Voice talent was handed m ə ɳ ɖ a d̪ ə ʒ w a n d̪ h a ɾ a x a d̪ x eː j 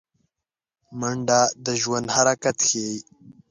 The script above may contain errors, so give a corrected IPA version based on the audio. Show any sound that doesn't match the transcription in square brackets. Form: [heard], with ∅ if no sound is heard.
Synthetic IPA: m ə ɳ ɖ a d̪ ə ʒ w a n d̪ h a ɾ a [k] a [t̪] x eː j